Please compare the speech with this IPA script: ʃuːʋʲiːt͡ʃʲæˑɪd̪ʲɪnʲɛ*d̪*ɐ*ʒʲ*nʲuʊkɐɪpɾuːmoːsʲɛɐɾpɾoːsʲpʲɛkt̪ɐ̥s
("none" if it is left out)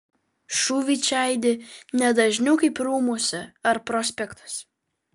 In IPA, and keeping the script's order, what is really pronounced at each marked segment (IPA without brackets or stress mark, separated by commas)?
d̪, ʒʲ